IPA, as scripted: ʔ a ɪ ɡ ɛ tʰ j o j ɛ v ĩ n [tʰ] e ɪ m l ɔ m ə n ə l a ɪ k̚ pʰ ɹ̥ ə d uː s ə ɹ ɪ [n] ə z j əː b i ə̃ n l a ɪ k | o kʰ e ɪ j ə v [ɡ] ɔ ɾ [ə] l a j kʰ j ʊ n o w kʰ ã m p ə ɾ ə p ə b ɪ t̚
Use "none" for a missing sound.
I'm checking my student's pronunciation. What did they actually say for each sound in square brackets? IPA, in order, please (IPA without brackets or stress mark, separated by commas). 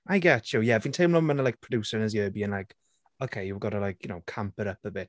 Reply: tʰ, n, ɡ, ə